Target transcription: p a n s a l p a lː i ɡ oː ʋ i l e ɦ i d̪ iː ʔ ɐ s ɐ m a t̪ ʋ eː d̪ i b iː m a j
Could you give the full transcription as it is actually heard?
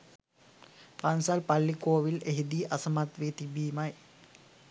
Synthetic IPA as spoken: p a n s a l p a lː i k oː ʋ i l e ɦ i d̪ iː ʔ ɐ s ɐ m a t̪ ʋ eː t̪ i b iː m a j